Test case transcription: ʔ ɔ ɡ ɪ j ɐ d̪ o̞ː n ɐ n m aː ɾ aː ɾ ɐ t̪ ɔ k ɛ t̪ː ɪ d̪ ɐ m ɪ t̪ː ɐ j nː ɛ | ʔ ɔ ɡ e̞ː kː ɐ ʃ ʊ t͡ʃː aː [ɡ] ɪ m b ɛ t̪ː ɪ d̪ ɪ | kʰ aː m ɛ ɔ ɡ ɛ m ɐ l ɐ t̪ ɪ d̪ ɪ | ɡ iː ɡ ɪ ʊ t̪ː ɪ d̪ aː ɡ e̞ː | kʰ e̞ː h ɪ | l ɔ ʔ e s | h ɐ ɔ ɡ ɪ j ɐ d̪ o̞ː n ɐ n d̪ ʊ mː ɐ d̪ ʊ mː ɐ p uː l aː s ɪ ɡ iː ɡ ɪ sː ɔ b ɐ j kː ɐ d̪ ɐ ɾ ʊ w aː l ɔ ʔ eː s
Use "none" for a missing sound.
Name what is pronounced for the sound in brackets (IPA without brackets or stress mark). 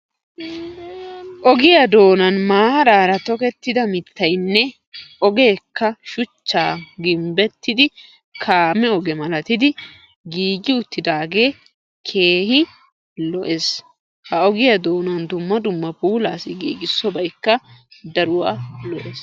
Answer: ɡ